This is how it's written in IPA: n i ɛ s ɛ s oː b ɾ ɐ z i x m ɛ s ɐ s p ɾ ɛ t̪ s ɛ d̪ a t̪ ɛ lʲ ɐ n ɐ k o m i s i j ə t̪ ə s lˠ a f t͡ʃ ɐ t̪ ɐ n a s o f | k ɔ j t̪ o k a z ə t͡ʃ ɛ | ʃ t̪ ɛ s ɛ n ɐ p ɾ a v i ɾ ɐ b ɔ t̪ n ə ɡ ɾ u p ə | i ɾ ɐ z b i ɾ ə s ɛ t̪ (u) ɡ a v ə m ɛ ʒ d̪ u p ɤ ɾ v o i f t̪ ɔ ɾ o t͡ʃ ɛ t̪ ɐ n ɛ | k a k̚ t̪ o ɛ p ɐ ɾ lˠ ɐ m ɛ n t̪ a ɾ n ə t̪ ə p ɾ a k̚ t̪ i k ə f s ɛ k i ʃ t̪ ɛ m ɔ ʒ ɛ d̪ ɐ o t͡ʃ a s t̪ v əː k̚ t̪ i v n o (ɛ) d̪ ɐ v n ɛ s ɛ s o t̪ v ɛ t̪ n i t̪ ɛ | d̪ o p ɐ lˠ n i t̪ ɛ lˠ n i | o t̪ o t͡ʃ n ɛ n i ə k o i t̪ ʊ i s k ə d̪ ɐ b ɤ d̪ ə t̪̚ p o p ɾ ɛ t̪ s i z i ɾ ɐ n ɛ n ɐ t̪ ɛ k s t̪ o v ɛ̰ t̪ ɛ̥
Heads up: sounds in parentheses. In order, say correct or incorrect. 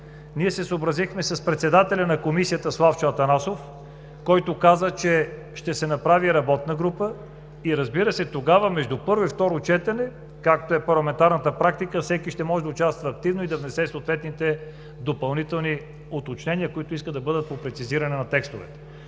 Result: incorrect: o, incorrect: i

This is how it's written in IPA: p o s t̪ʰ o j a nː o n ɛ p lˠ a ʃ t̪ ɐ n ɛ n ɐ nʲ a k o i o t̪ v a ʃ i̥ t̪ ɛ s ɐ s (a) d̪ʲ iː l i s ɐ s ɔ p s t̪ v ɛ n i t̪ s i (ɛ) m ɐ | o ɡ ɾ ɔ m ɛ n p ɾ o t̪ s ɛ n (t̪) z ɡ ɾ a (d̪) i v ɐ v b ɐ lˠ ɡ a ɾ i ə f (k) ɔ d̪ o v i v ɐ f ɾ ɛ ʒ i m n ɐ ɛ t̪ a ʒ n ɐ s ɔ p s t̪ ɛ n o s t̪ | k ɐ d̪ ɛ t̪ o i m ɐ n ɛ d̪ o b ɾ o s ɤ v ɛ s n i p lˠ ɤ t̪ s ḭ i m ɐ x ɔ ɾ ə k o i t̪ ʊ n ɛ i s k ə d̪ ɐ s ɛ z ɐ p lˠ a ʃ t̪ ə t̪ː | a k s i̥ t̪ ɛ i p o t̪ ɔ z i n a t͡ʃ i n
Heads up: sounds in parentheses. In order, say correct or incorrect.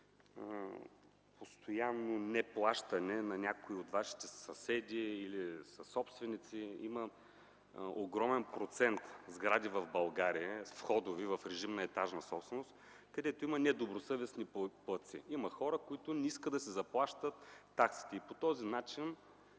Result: incorrect: ɛ, incorrect: i, correct, correct, incorrect: x

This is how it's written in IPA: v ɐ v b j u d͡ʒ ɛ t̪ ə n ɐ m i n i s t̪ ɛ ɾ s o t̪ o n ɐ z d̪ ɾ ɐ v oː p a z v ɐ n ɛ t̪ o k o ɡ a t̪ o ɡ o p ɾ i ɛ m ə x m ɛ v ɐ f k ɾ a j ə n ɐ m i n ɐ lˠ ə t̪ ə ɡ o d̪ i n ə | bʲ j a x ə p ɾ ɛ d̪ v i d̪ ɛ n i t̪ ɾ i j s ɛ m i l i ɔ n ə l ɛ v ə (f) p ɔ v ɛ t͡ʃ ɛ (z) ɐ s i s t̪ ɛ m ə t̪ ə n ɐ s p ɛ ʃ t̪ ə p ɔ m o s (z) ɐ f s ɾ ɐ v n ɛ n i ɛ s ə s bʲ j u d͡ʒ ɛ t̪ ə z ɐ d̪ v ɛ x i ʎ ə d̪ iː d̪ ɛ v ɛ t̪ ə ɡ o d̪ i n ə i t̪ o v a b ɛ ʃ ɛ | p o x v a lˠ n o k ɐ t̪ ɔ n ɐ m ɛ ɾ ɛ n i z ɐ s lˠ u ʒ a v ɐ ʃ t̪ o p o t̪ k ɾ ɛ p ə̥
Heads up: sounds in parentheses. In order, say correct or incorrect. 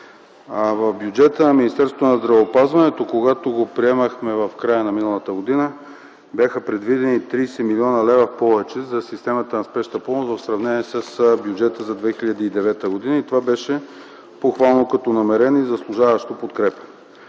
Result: correct, correct, incorrect: v

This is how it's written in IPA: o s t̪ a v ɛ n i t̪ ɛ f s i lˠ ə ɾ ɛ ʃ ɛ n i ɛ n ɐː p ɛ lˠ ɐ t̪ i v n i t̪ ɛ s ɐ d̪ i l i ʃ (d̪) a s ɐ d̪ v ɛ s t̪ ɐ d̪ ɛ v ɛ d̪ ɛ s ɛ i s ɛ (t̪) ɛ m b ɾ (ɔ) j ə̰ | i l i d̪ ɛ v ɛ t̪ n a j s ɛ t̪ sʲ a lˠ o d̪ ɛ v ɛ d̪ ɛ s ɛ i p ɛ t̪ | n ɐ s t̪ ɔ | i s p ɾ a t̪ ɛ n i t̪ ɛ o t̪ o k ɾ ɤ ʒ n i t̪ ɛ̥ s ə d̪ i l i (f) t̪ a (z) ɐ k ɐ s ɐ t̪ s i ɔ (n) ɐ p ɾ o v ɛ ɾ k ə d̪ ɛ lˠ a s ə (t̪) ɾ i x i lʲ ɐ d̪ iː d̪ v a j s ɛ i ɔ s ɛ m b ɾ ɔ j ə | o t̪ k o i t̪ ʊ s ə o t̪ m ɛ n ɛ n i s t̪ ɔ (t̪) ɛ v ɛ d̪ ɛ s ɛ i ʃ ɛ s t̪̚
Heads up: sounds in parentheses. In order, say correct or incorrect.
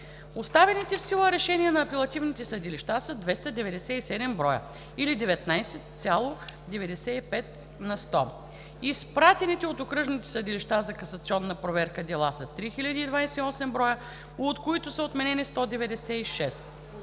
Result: incorrect: t̪, incorrect: d̪, correct, incorrect: ʃ, correct, incorrect: nː, correct, incorrect: d̪

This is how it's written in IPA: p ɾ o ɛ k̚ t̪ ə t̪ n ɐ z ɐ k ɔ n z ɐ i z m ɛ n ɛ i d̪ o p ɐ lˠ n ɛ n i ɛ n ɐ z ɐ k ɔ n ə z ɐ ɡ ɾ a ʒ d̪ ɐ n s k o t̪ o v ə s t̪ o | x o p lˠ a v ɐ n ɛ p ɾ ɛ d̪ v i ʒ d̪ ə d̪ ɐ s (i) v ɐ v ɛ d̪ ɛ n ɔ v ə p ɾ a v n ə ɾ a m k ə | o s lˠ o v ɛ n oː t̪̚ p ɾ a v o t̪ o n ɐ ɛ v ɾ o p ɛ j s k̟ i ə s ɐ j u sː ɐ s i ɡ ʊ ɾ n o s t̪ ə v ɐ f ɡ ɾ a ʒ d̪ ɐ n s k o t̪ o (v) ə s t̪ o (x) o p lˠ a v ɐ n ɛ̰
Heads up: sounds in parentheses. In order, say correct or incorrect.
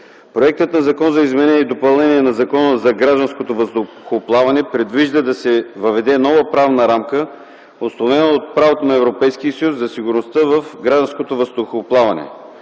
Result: incorrect: ɛ, correct, correct

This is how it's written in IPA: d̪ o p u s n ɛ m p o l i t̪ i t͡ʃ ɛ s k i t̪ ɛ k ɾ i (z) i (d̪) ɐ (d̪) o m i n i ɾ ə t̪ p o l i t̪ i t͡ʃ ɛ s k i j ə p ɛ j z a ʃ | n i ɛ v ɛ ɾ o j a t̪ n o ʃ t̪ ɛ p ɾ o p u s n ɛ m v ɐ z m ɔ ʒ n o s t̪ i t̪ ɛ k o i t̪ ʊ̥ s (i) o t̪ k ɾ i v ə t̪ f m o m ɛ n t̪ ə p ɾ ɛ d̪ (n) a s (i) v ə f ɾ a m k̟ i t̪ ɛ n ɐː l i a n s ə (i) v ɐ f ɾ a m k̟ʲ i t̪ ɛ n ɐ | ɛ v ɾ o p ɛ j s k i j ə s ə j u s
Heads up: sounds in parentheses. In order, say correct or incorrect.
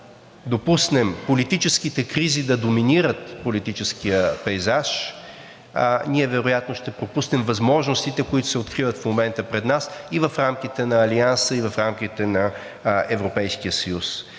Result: correct, correct, correct, incorrect: ɛ, correct, correct, correct

